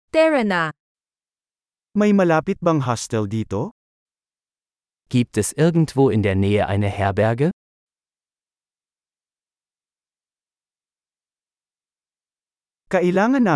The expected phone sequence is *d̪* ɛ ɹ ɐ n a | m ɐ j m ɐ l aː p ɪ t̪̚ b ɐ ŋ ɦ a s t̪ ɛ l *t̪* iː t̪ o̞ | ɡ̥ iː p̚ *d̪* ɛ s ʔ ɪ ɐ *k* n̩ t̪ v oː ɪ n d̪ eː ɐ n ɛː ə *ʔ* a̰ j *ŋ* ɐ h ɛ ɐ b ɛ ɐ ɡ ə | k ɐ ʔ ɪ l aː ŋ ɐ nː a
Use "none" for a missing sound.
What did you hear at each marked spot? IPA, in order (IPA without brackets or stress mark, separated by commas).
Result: t̪, d̪, t̪, ɡ, ʔ, n